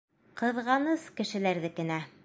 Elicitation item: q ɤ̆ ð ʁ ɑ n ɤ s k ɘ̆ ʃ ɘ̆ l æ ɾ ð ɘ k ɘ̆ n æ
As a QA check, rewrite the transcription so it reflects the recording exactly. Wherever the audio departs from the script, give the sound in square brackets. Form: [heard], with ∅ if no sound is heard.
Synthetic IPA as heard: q ɤ̆ ð ʁ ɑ n ɤ s k ɘ̆ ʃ ɘ̆ l æ ɾ ð ɘ k ɘ̆ n æ